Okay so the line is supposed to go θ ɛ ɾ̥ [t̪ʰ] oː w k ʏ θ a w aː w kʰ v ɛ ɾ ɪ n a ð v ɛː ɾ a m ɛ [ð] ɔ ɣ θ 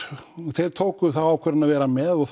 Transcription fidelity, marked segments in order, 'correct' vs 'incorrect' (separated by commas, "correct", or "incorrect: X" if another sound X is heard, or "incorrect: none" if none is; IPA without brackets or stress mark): correct, correct